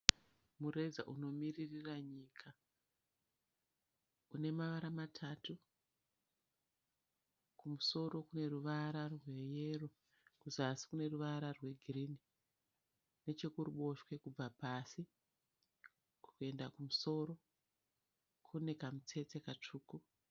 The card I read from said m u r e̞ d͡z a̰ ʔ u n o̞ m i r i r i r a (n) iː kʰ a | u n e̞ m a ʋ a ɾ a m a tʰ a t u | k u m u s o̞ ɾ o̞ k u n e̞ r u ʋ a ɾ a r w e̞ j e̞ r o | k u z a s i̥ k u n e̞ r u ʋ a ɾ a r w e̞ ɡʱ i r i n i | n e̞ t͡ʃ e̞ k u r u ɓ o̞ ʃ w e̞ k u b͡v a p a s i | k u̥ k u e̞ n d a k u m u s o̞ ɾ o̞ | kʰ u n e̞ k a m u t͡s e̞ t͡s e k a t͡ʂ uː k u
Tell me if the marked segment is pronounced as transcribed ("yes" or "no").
no